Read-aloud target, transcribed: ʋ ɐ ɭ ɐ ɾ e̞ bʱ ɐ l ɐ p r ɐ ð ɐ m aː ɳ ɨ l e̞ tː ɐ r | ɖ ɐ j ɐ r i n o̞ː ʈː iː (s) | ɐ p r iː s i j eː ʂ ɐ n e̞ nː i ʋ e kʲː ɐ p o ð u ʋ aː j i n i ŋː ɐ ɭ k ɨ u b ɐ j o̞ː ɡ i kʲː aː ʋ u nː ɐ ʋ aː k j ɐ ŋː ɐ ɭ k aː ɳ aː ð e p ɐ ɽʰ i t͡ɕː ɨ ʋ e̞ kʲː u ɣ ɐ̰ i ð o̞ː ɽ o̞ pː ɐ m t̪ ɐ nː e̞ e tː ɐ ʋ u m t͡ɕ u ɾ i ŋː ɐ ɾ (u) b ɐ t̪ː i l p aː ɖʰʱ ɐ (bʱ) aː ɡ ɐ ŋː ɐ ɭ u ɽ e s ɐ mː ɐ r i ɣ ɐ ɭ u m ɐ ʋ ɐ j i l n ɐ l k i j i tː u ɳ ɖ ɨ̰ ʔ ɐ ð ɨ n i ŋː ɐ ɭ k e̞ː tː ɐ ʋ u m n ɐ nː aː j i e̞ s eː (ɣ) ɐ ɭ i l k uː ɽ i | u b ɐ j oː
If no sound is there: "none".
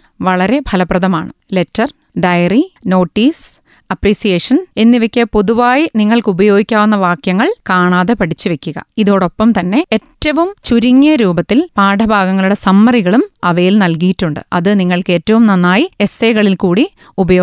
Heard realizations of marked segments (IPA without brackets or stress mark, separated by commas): s, uː, bʱ, ɣ